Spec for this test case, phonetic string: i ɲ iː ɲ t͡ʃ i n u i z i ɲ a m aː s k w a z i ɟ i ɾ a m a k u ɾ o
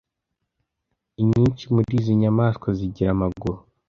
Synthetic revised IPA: i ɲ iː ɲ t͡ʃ i m u i z i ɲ a m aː s k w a z i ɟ i ɾ a m a ɡ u ɾ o